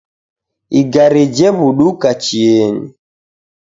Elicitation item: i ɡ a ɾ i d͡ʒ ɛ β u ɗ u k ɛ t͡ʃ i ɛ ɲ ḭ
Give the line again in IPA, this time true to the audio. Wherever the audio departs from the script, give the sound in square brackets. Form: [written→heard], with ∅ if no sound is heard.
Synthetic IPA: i ɡ a ɾ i d͡ʒ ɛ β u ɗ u k [ɛ→a] t͡ʃ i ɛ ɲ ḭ